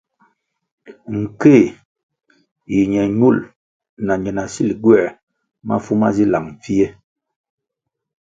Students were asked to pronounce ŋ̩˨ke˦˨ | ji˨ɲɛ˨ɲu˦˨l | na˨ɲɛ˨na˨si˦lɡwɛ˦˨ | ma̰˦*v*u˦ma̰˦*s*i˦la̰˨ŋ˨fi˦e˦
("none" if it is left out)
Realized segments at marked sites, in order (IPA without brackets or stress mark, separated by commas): f, z